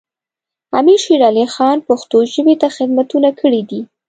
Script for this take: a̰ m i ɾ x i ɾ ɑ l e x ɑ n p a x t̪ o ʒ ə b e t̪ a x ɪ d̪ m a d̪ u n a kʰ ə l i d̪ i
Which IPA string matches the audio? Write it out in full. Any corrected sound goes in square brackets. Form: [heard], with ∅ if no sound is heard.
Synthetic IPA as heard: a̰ m i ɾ [ʃ] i ɾ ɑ l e x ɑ n p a x t̪ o ʒ ə b e t̪ a x ɪ d̪ m a [t̪] u n a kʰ ə [ɽ] i d̪ i